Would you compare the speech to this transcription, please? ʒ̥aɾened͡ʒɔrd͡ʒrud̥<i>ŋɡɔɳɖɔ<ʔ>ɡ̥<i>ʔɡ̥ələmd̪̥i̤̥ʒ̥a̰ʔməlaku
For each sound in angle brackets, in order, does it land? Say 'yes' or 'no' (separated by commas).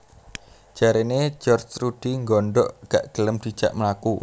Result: yes, yes, no